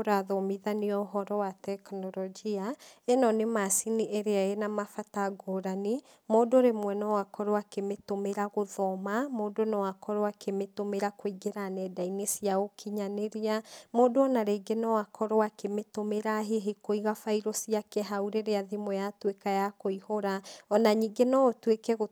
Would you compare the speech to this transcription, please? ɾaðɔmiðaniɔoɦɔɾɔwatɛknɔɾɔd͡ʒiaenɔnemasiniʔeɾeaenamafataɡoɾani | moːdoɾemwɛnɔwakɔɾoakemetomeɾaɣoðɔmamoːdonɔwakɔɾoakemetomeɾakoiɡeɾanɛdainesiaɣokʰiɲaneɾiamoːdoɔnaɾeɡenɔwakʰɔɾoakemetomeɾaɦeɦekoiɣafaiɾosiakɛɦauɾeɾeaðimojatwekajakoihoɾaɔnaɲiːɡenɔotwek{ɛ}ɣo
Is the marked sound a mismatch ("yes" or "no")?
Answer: no